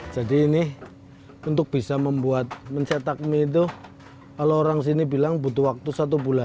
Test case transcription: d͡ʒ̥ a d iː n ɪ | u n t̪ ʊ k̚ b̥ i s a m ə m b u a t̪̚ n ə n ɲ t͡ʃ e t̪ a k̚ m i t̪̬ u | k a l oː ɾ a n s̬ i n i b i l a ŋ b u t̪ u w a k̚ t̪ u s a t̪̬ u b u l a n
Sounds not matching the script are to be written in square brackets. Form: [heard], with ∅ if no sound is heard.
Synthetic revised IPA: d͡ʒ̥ a d iː n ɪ | u n t̪ ʊ k̚ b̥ i s a m ə m b u a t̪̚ [m] ə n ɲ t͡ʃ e t̪ a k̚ m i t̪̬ u | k a l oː ɾ a [ŋ] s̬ i n i b i l a ŋ b u t̪ u w a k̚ t̪ u s a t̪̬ u b u l a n